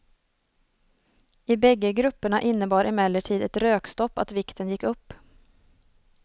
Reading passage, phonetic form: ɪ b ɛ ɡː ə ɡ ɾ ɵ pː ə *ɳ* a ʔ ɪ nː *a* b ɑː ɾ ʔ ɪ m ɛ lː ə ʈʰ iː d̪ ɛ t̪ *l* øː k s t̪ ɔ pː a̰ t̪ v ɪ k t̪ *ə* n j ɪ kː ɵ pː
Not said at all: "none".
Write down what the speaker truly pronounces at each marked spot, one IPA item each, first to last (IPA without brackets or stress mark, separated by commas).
ɳ, ə, ɾ, ə